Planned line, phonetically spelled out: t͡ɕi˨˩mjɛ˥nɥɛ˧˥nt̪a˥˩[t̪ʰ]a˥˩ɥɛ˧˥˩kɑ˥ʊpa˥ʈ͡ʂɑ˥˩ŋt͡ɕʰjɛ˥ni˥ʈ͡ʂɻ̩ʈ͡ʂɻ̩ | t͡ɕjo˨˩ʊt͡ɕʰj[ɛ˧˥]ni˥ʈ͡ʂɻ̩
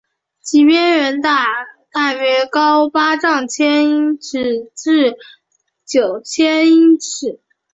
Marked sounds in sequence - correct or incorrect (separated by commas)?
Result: incorrect, incorrect